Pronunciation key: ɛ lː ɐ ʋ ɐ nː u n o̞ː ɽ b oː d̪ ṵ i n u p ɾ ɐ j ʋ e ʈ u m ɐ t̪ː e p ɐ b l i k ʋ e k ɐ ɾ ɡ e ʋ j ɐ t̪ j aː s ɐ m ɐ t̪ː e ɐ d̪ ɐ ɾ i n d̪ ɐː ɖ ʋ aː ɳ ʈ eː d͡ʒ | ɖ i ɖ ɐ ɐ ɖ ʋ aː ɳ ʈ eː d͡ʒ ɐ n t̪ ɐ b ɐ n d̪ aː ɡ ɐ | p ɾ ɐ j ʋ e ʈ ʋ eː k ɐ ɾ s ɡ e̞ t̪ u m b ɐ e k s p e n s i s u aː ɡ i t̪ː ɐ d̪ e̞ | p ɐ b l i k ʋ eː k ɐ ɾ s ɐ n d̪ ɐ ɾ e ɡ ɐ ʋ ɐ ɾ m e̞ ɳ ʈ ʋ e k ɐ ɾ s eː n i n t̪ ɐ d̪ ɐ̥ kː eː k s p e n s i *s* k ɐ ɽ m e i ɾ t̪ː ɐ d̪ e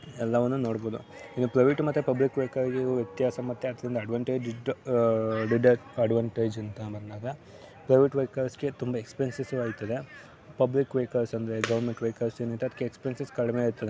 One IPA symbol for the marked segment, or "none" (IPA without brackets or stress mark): s